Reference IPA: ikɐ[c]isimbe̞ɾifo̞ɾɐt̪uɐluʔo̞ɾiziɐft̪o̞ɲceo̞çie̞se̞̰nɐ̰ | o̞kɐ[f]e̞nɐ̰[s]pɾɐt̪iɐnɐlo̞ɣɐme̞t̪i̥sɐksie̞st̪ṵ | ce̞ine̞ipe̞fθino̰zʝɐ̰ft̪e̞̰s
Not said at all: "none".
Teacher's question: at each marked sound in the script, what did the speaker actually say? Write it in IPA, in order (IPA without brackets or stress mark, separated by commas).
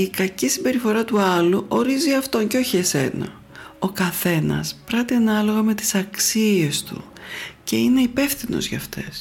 c, θ, s